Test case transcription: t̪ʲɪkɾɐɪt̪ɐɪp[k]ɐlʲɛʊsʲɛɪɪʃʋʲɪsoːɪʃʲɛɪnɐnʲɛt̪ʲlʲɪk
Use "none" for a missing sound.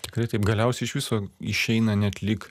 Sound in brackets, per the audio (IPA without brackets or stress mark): ɡ